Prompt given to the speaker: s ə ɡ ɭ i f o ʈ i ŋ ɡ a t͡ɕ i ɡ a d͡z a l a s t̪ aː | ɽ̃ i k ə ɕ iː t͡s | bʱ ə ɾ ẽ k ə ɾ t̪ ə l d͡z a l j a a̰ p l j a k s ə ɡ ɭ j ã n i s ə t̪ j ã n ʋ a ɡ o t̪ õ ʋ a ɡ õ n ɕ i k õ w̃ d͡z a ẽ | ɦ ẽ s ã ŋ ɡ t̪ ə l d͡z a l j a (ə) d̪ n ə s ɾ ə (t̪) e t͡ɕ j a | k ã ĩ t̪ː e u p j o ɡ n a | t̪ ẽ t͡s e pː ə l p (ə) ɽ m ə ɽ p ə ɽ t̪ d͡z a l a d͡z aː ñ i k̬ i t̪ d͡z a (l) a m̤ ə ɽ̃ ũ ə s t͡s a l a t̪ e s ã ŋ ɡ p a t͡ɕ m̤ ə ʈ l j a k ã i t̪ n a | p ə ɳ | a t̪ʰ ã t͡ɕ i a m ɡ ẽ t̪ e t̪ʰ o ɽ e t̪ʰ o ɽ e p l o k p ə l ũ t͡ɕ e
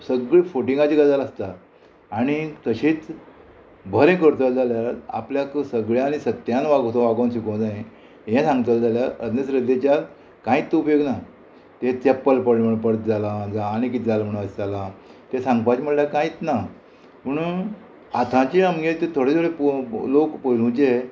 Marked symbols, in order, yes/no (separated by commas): yes, no, yes, yes